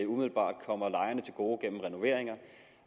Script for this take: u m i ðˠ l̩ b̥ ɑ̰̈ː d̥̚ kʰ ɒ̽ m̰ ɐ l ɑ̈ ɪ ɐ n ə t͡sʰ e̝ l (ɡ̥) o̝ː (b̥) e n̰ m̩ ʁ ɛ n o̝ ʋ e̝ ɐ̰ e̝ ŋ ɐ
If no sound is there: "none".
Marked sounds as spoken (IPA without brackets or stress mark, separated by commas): ɡ̥, ɡ̥